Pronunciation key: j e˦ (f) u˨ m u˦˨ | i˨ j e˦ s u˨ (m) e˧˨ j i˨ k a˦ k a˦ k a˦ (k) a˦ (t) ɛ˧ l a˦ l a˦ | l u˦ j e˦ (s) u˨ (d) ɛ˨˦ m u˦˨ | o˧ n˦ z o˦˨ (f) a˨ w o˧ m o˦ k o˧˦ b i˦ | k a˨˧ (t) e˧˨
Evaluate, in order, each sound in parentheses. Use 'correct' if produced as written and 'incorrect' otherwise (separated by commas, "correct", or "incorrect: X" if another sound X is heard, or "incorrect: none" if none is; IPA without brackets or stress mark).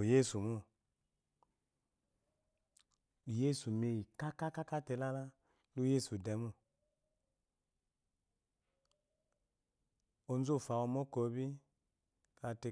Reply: incorrect: s, correct, correct, correct, correct, correct, correct, correct